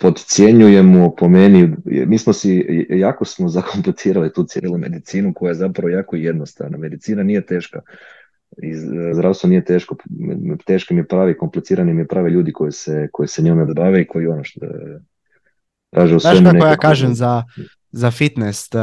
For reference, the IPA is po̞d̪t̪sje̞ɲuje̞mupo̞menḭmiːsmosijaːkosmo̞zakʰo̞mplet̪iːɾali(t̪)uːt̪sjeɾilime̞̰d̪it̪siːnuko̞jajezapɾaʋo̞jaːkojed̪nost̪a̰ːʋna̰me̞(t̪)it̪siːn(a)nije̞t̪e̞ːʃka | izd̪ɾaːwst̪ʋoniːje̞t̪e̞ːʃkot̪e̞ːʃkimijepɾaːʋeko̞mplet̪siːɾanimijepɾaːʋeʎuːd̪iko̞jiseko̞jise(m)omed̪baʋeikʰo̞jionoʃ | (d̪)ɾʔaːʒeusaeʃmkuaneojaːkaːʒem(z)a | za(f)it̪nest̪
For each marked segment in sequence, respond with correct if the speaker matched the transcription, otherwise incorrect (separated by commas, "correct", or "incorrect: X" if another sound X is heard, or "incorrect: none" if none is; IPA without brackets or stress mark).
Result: correct, incorrect: d̪, correct, incorrect: ɲ, incorrect: t̪, correct, correct